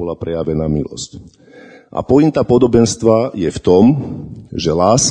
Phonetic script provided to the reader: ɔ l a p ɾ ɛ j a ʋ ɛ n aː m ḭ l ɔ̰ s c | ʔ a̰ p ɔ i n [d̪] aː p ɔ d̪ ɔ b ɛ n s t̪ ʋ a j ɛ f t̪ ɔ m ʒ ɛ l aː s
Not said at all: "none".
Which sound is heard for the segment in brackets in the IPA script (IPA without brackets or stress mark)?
t̪